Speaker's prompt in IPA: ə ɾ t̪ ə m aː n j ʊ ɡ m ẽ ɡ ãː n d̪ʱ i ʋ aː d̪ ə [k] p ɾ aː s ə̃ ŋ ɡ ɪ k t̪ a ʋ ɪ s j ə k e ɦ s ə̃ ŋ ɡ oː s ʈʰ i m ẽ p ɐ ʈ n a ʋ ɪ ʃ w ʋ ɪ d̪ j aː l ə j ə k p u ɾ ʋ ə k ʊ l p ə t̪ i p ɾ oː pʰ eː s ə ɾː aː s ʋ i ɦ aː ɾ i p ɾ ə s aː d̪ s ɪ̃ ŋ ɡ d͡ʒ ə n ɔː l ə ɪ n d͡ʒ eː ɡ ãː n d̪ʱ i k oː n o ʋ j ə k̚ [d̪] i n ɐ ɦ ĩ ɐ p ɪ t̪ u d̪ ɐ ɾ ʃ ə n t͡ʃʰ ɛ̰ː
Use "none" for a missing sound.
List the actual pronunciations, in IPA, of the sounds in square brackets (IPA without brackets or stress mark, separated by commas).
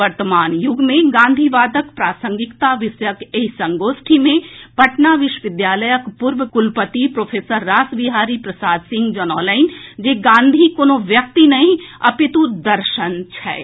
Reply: k, t̪